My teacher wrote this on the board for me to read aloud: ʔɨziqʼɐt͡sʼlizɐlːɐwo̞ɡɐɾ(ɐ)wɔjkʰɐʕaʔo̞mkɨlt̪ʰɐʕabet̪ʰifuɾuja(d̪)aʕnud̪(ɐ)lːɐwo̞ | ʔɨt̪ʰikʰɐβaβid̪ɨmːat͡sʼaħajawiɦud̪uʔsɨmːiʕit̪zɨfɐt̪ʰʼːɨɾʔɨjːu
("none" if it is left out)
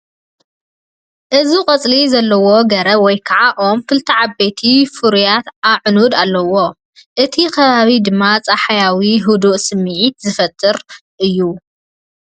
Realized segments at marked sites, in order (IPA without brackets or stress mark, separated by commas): ɐ, t̪, a